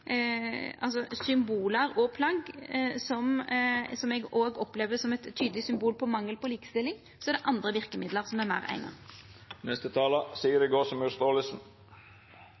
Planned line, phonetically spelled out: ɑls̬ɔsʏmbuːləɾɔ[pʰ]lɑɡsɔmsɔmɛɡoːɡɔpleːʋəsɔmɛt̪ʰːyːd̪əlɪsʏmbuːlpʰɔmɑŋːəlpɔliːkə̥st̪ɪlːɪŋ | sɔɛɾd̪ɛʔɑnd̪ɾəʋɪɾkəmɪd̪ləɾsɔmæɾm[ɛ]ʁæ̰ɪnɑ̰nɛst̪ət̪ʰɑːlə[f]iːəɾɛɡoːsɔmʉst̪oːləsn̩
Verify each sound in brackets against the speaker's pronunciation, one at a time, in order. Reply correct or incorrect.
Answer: correct, incorrect: æ, incorrect: s

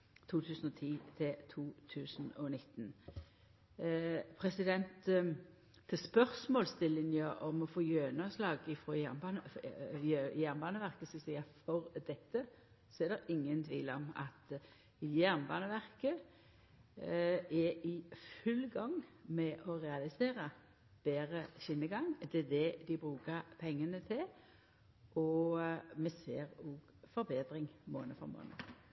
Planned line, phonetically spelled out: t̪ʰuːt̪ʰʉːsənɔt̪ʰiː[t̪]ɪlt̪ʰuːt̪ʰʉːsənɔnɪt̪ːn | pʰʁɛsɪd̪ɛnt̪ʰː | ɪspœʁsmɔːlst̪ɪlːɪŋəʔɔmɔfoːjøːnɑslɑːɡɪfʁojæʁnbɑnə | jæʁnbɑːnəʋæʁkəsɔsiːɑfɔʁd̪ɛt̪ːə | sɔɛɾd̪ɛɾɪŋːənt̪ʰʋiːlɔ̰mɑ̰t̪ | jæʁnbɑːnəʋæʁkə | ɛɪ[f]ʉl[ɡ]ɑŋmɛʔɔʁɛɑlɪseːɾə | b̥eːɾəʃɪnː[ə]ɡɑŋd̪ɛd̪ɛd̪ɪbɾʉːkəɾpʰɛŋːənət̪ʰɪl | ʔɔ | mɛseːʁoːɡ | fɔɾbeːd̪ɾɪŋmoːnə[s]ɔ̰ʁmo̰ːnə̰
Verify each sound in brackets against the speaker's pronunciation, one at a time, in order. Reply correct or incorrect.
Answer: incorrect: t̪ʰ, correct, correct, correct, incorrect: f

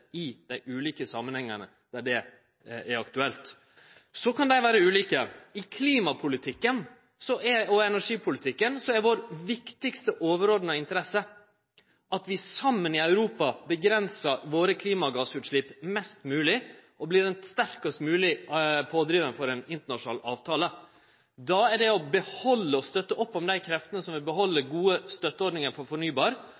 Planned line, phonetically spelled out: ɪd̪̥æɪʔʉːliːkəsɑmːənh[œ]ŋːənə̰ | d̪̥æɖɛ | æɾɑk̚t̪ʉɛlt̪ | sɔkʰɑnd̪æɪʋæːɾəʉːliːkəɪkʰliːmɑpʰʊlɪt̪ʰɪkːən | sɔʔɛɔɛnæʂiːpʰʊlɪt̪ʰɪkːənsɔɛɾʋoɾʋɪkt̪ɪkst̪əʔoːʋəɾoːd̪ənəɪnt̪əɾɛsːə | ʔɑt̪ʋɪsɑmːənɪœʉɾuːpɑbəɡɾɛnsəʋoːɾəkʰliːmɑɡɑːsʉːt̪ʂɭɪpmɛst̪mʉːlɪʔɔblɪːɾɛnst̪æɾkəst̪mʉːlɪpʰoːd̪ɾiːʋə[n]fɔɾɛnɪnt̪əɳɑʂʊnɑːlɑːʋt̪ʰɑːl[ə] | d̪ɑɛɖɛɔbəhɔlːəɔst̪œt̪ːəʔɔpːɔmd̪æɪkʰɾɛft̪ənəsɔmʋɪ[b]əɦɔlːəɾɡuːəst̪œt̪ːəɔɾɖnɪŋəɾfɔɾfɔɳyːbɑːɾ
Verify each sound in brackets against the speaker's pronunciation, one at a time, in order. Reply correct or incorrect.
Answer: incorrect: ɛ, correct, correct, correct

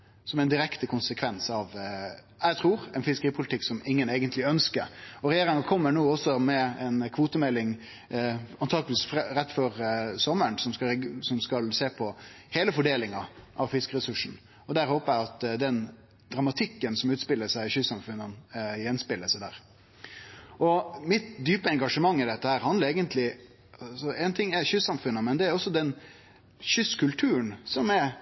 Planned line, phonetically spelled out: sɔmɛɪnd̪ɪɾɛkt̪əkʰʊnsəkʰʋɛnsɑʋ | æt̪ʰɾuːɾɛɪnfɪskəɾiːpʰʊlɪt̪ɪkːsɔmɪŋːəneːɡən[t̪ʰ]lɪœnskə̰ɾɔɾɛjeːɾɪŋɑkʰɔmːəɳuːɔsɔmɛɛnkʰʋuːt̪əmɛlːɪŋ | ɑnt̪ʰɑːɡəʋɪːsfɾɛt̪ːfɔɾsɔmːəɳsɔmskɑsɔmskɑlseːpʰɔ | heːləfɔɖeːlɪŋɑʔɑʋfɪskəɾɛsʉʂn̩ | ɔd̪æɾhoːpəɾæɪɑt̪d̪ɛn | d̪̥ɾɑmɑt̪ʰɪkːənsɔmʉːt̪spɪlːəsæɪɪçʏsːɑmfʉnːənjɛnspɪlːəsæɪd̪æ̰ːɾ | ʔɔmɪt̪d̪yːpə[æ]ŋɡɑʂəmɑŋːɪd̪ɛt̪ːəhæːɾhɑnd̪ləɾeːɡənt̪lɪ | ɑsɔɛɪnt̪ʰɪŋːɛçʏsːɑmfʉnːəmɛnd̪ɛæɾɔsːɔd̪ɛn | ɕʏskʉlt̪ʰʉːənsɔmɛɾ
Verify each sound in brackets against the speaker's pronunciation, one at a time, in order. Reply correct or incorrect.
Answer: incorrect: t̪, incorrect: ɛ

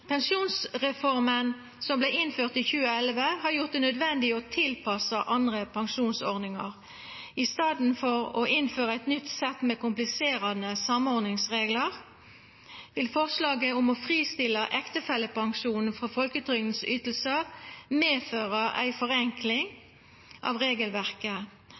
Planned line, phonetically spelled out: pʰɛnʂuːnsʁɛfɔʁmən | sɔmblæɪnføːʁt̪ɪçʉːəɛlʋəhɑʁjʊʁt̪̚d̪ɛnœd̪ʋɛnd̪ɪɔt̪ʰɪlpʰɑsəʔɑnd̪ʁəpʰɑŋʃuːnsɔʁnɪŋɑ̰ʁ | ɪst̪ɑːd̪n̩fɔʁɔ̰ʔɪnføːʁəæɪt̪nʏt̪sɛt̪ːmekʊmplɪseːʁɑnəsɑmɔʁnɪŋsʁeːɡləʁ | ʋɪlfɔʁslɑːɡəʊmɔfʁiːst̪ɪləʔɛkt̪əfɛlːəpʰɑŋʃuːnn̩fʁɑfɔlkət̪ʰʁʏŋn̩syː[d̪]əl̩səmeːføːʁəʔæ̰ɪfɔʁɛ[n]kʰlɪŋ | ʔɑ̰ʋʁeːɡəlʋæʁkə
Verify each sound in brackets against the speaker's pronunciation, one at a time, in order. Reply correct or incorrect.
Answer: incorrect: t̪, incorrect: ŋ

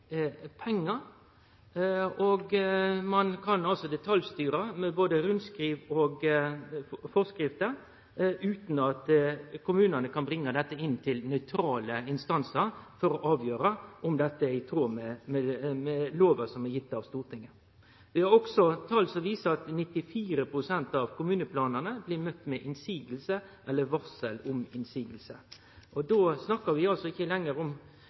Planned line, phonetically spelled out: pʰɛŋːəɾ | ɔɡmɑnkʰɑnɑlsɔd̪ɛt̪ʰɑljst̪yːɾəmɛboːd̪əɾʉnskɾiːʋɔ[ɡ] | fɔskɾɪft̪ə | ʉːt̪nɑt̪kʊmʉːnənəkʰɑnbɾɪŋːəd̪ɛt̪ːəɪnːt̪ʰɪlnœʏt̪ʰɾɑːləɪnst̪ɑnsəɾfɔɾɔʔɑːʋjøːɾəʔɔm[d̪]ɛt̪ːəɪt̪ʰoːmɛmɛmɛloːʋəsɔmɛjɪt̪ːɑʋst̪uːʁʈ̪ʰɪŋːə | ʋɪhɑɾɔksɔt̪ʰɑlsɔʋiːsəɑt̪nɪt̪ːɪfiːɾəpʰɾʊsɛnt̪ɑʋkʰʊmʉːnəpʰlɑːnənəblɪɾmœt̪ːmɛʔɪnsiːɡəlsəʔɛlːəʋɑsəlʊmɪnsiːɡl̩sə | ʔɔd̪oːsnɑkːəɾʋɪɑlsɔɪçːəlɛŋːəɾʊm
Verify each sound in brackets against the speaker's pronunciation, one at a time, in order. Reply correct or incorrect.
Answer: correct, correct

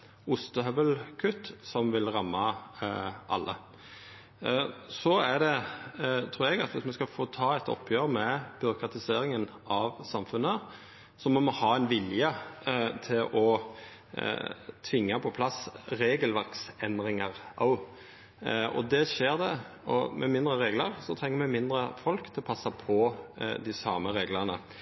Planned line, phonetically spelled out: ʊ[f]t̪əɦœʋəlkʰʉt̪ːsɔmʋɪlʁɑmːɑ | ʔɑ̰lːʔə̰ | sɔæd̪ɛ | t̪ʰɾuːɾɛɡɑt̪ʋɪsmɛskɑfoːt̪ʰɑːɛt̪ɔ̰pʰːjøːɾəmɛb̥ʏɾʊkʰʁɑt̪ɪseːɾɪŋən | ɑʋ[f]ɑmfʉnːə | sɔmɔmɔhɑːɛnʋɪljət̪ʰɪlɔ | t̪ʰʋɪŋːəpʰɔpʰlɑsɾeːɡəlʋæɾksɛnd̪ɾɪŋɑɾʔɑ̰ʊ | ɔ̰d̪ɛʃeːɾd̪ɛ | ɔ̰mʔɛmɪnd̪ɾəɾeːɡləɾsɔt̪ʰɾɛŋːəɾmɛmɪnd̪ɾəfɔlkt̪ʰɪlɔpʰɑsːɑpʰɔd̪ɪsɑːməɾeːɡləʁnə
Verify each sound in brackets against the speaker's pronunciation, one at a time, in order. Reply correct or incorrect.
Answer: incorrect: s, incorrect: s

